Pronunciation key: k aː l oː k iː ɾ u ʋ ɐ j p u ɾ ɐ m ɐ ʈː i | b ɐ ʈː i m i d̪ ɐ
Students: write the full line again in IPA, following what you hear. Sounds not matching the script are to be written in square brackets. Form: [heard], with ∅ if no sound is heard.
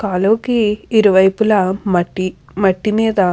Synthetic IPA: k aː l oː k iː ɾ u ʋ ɐ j p u [l] ɐ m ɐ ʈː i | [m] ɐ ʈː i m [iː] d̪ ɐ